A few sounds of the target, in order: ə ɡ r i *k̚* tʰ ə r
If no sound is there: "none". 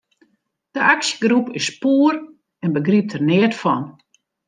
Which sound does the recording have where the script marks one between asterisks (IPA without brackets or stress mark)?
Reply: p̚